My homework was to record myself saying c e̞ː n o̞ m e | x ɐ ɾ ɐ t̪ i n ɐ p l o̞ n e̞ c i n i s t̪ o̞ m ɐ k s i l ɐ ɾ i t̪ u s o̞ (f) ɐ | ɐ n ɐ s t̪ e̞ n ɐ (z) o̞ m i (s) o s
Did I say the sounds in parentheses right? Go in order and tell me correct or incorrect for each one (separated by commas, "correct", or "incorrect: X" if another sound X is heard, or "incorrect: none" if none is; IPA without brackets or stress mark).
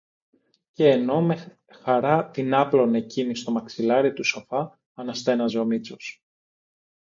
correct, correct, incorrect: t͡s